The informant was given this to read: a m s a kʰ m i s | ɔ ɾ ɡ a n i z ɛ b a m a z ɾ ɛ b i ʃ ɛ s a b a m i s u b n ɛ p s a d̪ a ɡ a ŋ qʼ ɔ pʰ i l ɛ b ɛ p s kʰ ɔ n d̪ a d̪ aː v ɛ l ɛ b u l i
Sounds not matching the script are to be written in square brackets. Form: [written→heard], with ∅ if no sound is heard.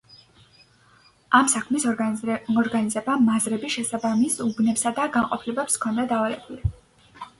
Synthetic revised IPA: a m s a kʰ m i s | ɔ ɾ ɡ a n i z ɛ b a m a z ɾ ɛ b i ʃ ɛ s a b a m i s u b n ɛ p s a d̪ a ɡ a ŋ qʼ ɔ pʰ i l ɛ b ɛ p s kʰ ɔ n d̪ a d̪ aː v [ɛ→a] l ɛ b u l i

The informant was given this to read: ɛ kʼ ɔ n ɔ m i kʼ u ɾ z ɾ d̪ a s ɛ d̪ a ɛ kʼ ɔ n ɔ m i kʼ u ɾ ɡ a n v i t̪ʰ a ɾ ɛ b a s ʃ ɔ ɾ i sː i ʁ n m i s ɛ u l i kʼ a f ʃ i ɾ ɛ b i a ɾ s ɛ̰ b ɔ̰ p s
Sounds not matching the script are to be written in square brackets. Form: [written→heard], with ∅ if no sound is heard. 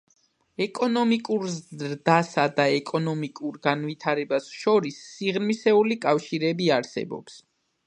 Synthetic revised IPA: ɛ kʼ ɔ n ɔ m i kʼ u ɾ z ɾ d̪ a s [ɛ→a] d̪ a ɛ kʼ ɔ n ɔ m i kʼ u ɾ ɡ a n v i t̪ʰ a ɾ ɛ b a s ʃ ɔ ɾ i sː i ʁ n m i s ɛ u l i kʼ a f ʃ i ɾ ɛ b i a ɾ s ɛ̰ b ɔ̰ p s

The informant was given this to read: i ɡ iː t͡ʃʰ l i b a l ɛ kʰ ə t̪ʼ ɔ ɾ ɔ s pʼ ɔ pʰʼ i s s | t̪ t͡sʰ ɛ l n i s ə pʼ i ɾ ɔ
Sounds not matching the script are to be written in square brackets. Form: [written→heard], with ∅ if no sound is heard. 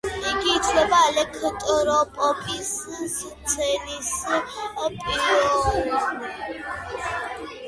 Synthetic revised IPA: i ɡ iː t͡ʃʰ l [i→ɛ] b a l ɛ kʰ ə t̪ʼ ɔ ɾ ɔ [s→∅] pʼ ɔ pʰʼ i s s | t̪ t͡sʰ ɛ [l→∅] n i s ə pʼ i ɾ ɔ

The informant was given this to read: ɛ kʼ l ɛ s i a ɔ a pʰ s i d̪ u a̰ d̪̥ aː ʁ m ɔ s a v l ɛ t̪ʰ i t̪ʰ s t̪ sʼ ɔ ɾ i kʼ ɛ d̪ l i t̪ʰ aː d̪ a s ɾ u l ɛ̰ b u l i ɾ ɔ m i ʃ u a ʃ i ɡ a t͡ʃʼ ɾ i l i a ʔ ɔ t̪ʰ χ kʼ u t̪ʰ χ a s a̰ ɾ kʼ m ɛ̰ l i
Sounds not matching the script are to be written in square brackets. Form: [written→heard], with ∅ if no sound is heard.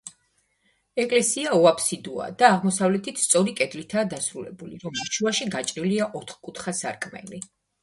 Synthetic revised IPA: ɛ kʼ l ɛ s i a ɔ a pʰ s i d̪ u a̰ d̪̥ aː ʁ m ɔ s a v l ɛ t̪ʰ i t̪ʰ s t̪ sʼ ɔ ɾ i kʼ ɛ d̪ l i t̪ʰ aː d̪ a s ɾ u l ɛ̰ b u l i ɾ ɔ m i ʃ u a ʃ i ɡ a t͡ʃʼ ɾ i l i a ʔ ɔ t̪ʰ χ kʼ u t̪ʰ χ a s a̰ ɾ kʼ m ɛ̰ l i

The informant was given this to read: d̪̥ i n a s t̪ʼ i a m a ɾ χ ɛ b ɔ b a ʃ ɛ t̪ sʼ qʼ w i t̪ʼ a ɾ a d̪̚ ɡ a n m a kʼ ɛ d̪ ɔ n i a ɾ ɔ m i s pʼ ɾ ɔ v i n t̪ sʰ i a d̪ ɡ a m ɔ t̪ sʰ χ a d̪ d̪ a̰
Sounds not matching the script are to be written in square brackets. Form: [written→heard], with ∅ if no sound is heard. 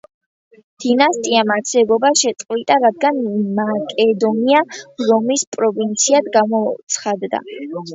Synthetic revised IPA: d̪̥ i n a s t̪ʼ i a m a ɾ [χ→s] ɛ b ɔ b a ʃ ɛ t̪ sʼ qʼ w i t̪ʼ a ɾ a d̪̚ ɡ a n m a kʼ ɛ d̪ ɔ n i a ɾ ɔ m i s pʼ ɾ ɔ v i n t̪ sʰ i a d̪ ɡ a m ɔ t̪ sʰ χ a d̪ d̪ a̰

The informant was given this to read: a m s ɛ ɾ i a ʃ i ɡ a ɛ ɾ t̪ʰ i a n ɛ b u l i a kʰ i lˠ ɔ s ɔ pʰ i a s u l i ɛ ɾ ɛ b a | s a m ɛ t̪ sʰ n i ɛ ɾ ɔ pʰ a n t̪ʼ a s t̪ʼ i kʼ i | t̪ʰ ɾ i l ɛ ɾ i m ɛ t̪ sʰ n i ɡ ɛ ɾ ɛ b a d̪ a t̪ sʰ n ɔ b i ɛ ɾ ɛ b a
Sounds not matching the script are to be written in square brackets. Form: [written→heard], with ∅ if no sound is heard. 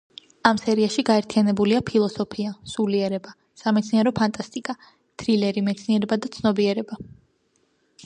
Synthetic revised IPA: a m s ɛ ɾ i a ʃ i ɡ a ɛ ɾ t̪ʰ i a n ɛ b u l i a [kʰ→pʰ] i lˠ ɔ s ɔ pʰ i a s u l i ɛ ɾ ɛ b a | s a m ɛ t̪ sʰ n i ɛ ɾ ɔ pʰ a n t̪ʼ a s t̪ʼ i kʼ [i→a] | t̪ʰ ɾ i l ɛ ɾ i m ɛ t̪ sʰ n i [ɡ→∅] ɛ ɾ ɛ b a d̪ a t̪ sʰ n ɔ b i ɛ ɾ ɛ b a

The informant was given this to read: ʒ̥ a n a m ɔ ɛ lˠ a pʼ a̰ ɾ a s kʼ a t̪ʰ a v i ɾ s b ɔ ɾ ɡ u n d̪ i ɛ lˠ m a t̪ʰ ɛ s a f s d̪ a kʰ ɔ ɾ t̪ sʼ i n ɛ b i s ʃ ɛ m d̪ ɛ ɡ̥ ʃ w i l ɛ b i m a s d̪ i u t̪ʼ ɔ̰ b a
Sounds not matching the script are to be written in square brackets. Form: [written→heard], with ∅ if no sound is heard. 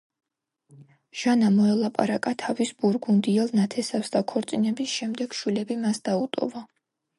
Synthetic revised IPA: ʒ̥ a n a m ɔ ɛ lˠ a pʼ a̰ ɾ a [s→∅] kʼ a t̪ʰ a v i [ɾ→∅] s b [ɔ→u] ɾ ɡ u n d̪ i ɛ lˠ [m→n] a t̪ʰ ɛ s a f s d̪ a kʰ ɔ ɾ t̪ sʼ i n ɛ b i s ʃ ɛ m d̪ ɛ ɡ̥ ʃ w i l ɛ b i m a s d̪ [i→a] u t̪ʼ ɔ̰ [b→v] a

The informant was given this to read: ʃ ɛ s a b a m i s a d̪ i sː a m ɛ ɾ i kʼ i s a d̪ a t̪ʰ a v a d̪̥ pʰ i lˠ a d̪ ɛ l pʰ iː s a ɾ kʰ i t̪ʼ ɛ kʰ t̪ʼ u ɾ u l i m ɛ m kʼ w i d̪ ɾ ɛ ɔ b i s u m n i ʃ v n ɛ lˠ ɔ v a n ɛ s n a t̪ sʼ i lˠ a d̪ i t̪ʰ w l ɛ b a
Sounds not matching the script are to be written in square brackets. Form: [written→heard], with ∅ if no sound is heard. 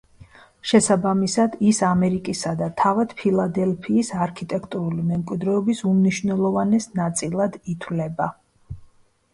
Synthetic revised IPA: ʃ ɛ s a b a m i s a d̪ i [sː→s] a m ɛ ɾ i kʼ i s a d̪ a t̪ʰ a v a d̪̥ pʰ i lˠ a d̪ ɛ l pʰ iː s a ɾ kʰ i t̪ʼ ɛ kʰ t̪ʼ u ɾ u l i m ɛ m kʼ w i d̪ ɾ ɛ ɔ b i s u m n i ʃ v n ɛ lˠ ɔ v a n ɛ s n a t̪ sʼ i lˠ a d̪ i t̪ʰ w l ɛ b a

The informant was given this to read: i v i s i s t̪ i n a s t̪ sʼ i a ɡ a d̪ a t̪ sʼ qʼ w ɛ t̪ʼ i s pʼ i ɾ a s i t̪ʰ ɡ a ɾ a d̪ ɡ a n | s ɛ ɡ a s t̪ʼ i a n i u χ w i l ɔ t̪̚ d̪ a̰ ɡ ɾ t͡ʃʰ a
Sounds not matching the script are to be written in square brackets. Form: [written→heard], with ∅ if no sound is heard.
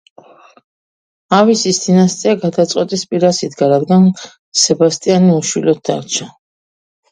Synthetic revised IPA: [i→a] v i s i s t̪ i n a s t̪ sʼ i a ɡ a d̪ a t̪ sʼ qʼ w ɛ t̪ʼ i s pʼ i ɾ a s i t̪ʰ ɡ a ɾ a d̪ ɡ a n | s ɛ [ɡ→b] a s t̪ʼ i a n i u [χ→ʃ] w i l ɔ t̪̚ d̪ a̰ [ɡ→∅] ɾ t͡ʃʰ a

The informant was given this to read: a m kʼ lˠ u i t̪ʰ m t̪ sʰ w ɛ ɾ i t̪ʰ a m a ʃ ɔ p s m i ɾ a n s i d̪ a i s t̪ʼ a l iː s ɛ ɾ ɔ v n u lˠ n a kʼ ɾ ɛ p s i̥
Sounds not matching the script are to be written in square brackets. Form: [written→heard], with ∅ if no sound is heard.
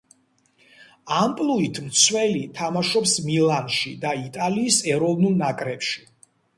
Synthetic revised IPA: a m [kʼ→pʼ] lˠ u i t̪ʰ m t̪ sʰ w ɛ [ɾ→l] i t̪ʰ a m a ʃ ɔ p s m i [ɾ→l] a n [s→ʃ] i d̪ a i [s→∅] t̪ʼ a l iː s ɛ ɾ ɔ v n u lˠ n a kʼ ɾ ɛ p [s→ʃ] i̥

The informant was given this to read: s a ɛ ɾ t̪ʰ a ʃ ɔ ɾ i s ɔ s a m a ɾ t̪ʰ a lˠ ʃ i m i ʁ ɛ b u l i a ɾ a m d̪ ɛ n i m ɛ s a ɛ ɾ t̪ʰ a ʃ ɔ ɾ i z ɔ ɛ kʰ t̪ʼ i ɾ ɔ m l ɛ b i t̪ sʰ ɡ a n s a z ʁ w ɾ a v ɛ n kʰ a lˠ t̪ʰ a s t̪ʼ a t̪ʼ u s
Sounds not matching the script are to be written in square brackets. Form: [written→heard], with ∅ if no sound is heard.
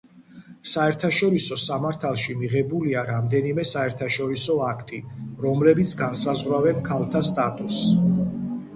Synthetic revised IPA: s a ɛ ɾ t̪ʰ a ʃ ɔ ɾ i s ɔ s a m a ɾ t̪ʰ a lˠ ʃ i m i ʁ ɛ b u l i a ɾ a m d̪ ɛ n i m ɛ s a ɛ ɾ t̪ʰ a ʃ ɔ ɾ i [z→s] ɔ [ɛ→a] kʰ t̪ʼ i ɾ ɔ m l ɛ b i t̪ sʰ ɡ a n s a z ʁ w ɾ a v ɛ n kʰ a lˠ t̪ʰ a s t̪ʼ a t̪ʼ u s

